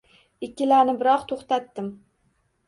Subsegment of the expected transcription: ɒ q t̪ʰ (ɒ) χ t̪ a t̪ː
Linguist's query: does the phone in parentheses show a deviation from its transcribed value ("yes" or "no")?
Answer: yes